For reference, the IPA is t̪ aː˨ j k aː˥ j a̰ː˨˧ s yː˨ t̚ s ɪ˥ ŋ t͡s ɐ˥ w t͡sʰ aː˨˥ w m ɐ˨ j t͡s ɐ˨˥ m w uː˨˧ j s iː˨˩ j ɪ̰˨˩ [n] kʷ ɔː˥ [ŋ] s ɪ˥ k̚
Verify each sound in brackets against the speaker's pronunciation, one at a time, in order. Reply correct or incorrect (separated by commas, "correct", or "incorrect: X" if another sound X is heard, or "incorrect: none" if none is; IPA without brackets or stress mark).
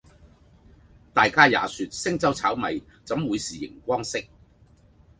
incorrect: ŋ, correct